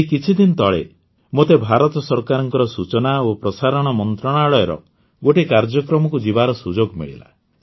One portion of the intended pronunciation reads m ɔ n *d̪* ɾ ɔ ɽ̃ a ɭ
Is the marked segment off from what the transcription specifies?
yes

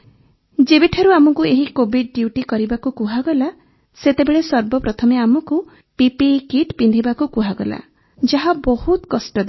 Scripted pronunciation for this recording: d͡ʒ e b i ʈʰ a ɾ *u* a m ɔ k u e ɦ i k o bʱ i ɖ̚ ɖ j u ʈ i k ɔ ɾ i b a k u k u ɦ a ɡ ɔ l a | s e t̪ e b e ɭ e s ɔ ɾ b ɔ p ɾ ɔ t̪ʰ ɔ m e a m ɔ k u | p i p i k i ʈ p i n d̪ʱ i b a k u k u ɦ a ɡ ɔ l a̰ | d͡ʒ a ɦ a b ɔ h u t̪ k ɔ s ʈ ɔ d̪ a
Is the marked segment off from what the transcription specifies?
no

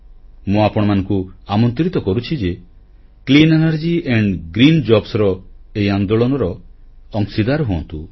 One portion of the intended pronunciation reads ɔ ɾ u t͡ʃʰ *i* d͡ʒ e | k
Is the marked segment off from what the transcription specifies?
no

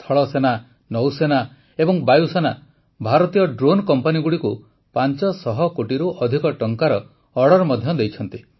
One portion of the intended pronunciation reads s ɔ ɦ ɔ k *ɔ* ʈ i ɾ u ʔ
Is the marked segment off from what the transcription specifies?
yes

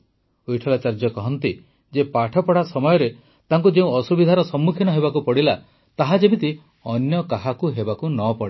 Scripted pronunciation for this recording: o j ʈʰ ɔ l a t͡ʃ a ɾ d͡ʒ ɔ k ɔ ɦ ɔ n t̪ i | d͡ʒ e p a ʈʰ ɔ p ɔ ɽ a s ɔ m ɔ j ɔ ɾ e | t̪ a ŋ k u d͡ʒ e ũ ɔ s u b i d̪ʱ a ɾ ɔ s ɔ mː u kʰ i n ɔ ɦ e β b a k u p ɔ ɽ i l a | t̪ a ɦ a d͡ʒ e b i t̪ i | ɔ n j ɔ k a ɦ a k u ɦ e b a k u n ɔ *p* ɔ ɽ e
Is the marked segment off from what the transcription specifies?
no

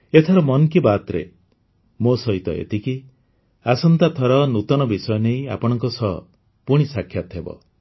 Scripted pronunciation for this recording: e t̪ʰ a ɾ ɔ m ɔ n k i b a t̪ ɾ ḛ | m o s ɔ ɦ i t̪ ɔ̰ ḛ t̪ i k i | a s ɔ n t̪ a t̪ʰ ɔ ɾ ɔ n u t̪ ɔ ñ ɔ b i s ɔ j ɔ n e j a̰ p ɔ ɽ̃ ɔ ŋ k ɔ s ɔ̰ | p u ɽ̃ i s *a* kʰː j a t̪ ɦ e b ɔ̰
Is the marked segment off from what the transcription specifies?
no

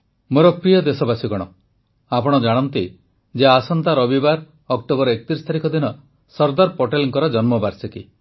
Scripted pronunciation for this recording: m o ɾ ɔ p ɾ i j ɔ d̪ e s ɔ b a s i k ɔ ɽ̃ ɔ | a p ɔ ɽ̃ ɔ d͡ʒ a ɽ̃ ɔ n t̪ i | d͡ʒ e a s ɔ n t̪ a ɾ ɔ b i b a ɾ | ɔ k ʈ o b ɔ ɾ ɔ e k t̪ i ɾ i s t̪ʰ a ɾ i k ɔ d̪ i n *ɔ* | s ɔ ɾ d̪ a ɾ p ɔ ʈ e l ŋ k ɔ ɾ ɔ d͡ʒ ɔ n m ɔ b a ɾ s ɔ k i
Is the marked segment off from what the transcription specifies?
no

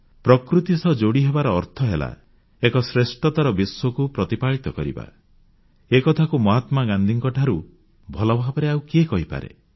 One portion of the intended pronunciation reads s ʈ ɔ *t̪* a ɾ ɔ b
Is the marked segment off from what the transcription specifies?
no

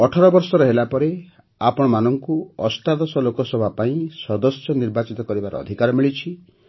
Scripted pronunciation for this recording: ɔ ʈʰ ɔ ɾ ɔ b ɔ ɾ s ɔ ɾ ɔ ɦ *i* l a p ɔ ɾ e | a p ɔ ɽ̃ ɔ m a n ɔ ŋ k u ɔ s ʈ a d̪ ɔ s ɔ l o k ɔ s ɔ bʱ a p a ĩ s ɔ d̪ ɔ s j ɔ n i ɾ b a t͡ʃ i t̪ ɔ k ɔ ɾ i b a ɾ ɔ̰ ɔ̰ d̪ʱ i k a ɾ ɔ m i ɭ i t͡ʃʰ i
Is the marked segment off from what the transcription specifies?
yes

